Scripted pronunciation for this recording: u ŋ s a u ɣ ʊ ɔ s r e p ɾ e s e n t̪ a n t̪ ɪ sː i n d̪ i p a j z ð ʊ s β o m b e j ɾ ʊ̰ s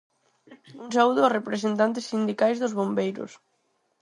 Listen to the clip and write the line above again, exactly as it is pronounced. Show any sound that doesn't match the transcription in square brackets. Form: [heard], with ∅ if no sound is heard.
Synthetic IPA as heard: u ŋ s a u [ð] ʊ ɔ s r e p ɾ e s e n t̪ a n t̪ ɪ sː i n d̪ i [k] a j z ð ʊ [z] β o m b e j ɾ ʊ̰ s